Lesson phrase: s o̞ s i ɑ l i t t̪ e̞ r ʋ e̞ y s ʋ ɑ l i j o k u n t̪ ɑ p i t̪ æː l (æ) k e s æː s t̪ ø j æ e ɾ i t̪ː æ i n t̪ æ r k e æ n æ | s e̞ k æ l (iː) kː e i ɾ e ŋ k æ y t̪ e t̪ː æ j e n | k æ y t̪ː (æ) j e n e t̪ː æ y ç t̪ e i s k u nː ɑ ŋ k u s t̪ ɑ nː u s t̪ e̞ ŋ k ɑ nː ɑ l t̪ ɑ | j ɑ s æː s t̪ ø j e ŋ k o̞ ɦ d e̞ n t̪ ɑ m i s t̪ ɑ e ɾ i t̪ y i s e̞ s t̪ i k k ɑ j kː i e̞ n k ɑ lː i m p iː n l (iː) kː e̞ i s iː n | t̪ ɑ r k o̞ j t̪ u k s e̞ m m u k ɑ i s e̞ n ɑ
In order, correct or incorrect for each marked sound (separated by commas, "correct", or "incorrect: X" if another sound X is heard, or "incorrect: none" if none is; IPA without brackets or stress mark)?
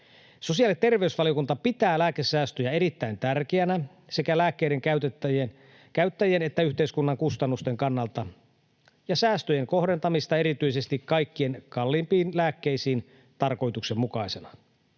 incorrect: æː, incorrect: æː, correct, incorrect: æː